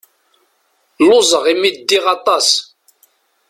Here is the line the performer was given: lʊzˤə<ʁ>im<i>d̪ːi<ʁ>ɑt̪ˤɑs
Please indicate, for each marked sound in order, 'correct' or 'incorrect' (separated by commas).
correct, correct, correct